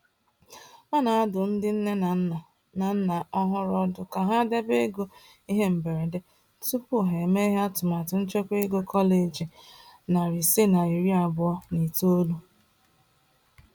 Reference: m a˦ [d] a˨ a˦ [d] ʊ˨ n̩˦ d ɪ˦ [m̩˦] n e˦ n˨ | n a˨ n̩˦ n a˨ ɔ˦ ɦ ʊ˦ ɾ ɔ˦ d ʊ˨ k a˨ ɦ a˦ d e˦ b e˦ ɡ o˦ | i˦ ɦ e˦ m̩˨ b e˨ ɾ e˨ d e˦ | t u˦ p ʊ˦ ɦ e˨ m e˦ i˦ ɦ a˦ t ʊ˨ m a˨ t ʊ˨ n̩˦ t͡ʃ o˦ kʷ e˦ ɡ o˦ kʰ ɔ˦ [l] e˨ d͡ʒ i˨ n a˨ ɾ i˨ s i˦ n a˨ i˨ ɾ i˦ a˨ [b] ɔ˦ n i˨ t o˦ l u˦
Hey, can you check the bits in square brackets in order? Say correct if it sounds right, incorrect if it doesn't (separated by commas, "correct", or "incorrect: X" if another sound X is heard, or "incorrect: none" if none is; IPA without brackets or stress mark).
incorrect: n, correct, incorrect: n̩˦, correct, correct